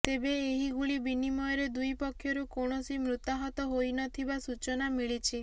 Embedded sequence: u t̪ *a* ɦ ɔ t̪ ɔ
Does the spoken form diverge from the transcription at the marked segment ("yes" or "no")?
no